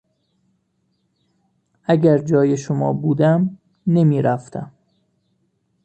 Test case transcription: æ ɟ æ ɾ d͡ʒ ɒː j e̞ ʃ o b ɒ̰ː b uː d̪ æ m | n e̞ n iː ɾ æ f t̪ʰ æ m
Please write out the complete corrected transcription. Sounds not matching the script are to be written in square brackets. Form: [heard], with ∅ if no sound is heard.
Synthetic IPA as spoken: æ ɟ æ ɾ d͡ʒ ɒː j e̞ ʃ o [m] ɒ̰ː b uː d̪ æ m | n e̞ [m] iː ɾ æ f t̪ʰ æ m

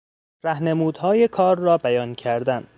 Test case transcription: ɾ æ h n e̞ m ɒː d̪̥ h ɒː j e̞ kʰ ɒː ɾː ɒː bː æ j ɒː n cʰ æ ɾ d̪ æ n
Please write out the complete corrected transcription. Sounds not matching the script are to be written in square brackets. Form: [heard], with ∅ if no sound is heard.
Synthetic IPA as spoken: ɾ æ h n e̞ m [uː] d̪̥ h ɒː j e̞ kʰ ɒː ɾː ɒː [b] æ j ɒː n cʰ æ ɾ d̪ æ n

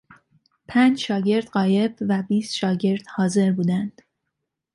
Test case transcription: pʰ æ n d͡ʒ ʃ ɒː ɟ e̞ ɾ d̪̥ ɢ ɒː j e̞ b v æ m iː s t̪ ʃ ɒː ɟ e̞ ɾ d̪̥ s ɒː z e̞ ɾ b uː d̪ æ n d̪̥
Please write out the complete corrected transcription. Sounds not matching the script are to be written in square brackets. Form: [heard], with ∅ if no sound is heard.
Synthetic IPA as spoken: pʰ æ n d͡ʒ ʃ ɒː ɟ e̞ ɾ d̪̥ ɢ ɒː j e̞ b v æ [b] iː s t̪ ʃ ɒː ɟ e̞ ɾ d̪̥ [h] ɒː z e̞ ɾ b uː d̪ æ n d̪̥

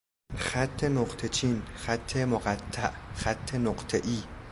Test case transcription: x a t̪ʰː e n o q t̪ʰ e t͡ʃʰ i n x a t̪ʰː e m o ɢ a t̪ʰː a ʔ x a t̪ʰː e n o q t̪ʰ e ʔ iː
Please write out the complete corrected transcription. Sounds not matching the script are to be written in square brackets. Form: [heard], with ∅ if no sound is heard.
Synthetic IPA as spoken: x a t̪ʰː e n o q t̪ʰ e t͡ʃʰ i n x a t̪ʰː e m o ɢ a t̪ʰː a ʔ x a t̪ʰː e n o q t̪ʰ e ʔ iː

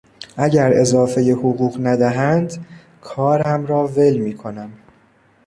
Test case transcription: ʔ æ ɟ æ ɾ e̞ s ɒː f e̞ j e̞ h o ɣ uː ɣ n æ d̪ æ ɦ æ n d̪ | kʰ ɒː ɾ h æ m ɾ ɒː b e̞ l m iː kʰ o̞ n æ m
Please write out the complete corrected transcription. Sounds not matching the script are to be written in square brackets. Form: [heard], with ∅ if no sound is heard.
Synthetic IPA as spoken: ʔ æ ɟ æ ɾ e̞ [z] ɒː f e̞ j e̞ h o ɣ uː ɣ n æ d̪ æ ɦ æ n d̪ | kʰ ɒː ɾ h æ m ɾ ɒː [v] e̞ l m iː kʰ o̞ n æ m

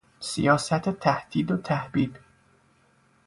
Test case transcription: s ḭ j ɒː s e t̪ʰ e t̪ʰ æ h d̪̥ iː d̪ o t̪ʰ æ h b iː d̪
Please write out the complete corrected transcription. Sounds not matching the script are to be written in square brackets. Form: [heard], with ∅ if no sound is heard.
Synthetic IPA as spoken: s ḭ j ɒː s [æ] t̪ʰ e t̪ʰ æ h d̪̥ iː d̪ o t̪ʰ æ h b iː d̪

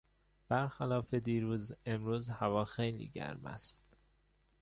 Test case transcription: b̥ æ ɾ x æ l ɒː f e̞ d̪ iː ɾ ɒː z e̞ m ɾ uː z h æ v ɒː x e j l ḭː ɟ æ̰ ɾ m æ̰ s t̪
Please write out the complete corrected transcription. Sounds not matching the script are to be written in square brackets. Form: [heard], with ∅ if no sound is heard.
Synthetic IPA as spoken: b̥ æ ɾ x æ l ɒː f e̞ d̪ iː ɾ [uː] z e̞ m ɾ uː z h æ v ɒː x e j l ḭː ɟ æ̰ ɾ m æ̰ s t̪

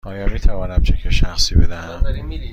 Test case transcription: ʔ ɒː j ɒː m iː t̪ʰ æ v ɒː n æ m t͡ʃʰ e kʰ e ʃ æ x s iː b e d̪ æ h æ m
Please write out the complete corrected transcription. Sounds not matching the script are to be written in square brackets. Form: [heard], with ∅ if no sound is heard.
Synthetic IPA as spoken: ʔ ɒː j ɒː m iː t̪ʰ æ v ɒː n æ m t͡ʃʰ e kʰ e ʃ æ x s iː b e d̪ æ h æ m

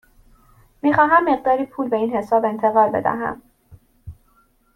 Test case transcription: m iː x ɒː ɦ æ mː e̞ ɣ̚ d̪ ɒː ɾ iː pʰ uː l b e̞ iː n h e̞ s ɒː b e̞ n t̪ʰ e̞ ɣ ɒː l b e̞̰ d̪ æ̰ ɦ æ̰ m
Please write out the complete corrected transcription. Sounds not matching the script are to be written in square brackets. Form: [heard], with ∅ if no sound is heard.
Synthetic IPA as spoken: m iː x ɒː ɦ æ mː e̞ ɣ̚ d̪ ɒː ɾ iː pʰ uː l b e̞ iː n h e̞ s ɒː b e̞ n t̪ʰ e̞ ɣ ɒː l b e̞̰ d̪ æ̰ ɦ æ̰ m

